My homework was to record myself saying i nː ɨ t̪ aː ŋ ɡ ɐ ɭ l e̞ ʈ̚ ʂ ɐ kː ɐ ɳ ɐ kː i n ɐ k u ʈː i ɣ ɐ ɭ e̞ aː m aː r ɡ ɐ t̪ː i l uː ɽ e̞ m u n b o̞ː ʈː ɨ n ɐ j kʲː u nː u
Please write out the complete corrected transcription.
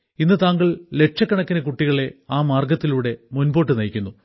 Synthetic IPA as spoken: i nː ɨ t̪ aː ŋ ɡ ɐ ɭ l e̞ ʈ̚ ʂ ɐ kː ɐ ɳ ɐ kː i n ɐ k u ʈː i ɣ ɐ ɭ e̞ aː m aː r ɡ ɐ t̪ː i l uː ɽ e̞ m u n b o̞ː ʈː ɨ n ɐ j kʲː u nː u